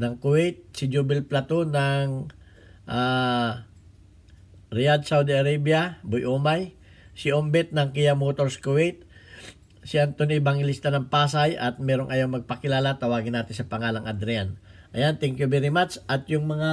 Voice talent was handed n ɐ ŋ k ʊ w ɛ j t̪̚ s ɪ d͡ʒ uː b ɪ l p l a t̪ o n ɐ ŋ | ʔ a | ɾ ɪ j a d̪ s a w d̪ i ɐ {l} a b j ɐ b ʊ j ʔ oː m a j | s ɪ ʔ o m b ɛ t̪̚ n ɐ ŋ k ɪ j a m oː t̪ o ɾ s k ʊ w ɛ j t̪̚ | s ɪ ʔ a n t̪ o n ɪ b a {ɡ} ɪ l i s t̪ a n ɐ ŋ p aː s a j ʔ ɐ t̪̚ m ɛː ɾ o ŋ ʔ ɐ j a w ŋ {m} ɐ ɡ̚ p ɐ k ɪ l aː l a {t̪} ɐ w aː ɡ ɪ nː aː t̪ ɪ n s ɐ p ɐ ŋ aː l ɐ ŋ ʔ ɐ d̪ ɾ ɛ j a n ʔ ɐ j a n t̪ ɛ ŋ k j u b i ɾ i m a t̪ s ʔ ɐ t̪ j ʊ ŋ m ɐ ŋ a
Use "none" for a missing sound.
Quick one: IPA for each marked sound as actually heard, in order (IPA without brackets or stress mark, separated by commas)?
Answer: ɾ, ŋ, m, t̪